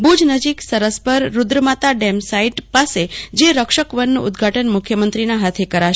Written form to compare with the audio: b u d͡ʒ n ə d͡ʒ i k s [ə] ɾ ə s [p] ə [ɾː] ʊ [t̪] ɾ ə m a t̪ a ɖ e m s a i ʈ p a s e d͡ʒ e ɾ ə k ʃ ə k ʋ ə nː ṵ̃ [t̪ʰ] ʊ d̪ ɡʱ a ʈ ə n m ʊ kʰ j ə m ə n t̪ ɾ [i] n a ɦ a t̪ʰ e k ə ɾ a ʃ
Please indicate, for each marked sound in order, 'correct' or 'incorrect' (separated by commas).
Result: correct, correct, correct, incorrect, incorrect, correct